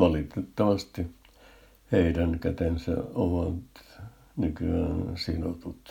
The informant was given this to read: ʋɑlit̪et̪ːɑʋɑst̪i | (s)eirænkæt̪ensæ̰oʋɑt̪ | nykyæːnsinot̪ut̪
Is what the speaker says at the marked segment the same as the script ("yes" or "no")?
no